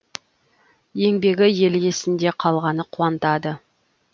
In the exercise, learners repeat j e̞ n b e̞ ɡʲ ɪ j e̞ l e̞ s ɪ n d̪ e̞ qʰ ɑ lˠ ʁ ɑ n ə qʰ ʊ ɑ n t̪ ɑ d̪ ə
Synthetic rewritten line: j e̞ ŋ b e̞ ɡʲ ɪ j e̞ l e̞ s ɪ n d̪ e̞ qʰ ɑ lˠ ʁ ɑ n ə qʰ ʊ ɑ n t̪ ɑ d̪ ə